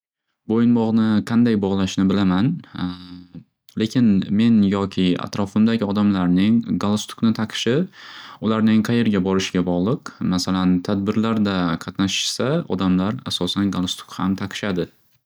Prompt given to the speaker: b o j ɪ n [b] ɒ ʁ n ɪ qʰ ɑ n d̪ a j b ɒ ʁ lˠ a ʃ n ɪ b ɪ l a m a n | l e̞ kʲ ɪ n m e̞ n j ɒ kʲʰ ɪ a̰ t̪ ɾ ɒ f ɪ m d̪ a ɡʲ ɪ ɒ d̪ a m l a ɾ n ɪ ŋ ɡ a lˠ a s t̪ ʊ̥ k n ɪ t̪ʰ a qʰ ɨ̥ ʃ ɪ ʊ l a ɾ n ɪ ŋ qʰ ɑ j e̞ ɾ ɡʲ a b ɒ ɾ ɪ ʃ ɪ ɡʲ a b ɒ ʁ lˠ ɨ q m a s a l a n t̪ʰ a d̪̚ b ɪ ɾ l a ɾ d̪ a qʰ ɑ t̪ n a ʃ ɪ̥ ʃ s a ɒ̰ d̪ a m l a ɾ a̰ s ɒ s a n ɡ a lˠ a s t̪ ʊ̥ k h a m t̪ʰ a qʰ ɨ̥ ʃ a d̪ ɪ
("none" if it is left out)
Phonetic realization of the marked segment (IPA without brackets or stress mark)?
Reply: b